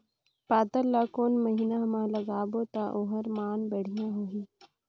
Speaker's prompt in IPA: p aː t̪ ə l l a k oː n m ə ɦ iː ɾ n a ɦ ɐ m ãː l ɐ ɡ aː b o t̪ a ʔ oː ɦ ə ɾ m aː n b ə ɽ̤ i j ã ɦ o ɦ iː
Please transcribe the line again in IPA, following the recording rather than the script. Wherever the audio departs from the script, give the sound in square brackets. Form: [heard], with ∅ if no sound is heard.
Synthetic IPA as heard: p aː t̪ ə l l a k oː n m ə ɦ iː [∅] n a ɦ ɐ m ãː l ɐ ɡ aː b o t̪ a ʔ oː ɦ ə ɾ m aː n b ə ɽ̤ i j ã ɦ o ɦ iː